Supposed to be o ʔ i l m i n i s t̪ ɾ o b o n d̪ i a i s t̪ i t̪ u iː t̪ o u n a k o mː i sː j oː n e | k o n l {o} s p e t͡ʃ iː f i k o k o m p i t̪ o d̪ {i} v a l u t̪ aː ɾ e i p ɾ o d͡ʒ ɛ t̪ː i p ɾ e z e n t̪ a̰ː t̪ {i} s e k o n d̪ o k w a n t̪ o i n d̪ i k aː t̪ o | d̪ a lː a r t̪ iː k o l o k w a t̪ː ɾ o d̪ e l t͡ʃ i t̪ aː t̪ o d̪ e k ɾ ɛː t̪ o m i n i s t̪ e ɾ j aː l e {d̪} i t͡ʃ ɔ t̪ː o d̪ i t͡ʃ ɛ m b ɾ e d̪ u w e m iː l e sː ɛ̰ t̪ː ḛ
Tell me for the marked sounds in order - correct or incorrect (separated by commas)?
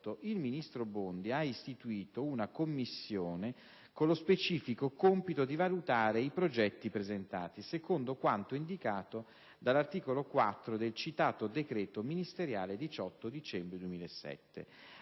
correct, correct, correct, correct